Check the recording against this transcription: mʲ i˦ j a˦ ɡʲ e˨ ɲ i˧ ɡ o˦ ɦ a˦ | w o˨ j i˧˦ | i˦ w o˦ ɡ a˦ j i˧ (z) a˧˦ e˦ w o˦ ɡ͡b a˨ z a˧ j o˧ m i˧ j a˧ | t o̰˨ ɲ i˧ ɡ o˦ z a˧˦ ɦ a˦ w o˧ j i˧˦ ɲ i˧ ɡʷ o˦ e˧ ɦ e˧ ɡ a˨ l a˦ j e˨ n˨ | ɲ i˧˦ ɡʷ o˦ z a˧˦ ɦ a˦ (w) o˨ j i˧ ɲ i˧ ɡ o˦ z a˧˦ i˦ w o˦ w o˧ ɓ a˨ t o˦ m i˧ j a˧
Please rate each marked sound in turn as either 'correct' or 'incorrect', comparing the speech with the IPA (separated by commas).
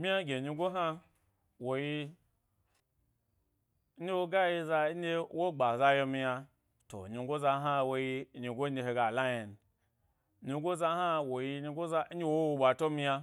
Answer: correct, correct